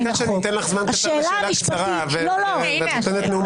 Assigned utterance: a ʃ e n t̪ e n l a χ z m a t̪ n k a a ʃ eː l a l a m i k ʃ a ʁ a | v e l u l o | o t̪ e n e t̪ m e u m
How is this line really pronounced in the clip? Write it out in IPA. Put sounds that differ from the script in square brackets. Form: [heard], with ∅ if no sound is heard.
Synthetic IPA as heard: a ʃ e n t̪ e n l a χ z m a [∅] n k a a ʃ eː l a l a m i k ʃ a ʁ a | v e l [o] l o | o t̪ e n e t̪ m e u m